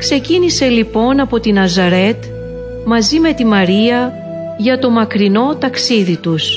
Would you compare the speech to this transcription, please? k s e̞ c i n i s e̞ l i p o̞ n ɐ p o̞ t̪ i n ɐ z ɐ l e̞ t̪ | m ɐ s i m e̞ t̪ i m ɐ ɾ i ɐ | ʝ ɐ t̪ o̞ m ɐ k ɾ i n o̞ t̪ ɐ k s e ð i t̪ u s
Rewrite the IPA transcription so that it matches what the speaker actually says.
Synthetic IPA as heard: k s e̞ c i n i s e̞ l i p o̞ n ɐ p o̞ t̪ i n ɐ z ɐ ɾ e̞ t̪ | m ɐ z i m e̞ t̪ i m ɐ ɾ i ɐ | ʝ ɐ t̪ o̞ m ɐ k ɾ i n o̞ t̪ ɐ k s i ð i t̪ u s